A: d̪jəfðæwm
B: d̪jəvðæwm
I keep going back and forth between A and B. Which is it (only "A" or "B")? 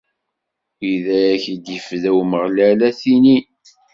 A